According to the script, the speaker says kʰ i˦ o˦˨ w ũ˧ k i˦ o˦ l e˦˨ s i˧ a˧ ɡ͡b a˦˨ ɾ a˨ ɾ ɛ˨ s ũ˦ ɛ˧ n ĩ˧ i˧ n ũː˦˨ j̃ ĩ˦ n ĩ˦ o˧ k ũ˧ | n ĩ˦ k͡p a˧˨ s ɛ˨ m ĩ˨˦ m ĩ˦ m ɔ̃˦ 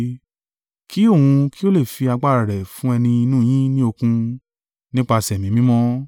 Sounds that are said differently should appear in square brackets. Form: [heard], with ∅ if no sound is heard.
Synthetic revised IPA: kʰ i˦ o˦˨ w ũ˧ k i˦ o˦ l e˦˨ [f] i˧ a˧ ɡ͡b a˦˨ ɾ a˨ ɾ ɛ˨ [f] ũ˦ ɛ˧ n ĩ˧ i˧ n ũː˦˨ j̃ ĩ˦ n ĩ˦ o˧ k ũ˧ | n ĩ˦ k͡p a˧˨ s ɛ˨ m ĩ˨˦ m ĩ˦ m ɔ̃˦